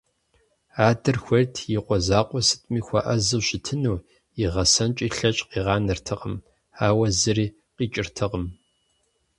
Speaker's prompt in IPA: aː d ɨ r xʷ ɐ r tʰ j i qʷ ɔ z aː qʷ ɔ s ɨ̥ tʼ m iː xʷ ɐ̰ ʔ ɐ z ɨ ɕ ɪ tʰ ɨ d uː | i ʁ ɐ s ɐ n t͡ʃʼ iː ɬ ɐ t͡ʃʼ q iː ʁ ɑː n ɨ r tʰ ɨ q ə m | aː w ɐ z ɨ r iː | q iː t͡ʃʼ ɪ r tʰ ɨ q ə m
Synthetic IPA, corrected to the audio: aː d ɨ r xʷ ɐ r tʰ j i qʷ ɔ z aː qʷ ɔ s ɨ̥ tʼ m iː xʷ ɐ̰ ʔ ɐ z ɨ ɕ ɪ tʰ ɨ n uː | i ʁ ɐ s ɐ n t͡ʃʼ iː ɬ ɐ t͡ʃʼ q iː ʁ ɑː n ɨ r tʰ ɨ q ə m | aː w ɐ z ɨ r iː | q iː t͡ʃʼ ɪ r tʰ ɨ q ə m